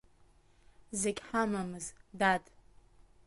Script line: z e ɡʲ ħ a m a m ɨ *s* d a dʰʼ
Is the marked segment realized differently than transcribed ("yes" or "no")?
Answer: yes